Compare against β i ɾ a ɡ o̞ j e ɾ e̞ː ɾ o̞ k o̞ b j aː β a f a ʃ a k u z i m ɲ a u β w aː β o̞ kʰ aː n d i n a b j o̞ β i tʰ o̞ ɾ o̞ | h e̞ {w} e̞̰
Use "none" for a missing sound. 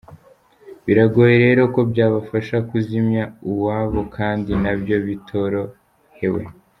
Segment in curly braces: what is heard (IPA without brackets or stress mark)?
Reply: w